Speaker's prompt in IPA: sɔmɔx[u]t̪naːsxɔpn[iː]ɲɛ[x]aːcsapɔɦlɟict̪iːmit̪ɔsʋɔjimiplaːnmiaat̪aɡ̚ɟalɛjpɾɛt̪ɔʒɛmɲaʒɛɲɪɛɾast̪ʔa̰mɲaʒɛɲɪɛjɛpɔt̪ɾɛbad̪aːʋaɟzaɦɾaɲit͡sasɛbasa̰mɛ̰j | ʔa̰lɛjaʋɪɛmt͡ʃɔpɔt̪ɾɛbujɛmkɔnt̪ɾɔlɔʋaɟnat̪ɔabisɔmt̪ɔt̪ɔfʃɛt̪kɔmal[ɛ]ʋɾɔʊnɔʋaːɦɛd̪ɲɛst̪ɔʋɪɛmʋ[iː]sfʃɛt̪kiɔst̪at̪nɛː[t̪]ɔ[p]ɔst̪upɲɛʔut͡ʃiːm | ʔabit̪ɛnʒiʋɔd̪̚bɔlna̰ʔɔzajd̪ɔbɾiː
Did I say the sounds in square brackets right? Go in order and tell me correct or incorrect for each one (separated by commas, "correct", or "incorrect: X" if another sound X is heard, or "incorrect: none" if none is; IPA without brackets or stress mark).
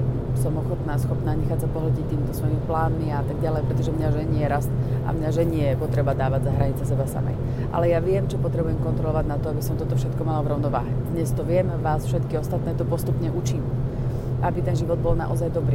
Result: incorrect: ɔ, incorrect: aː, correct, incorrect: a, incorrect: aː, correct, correct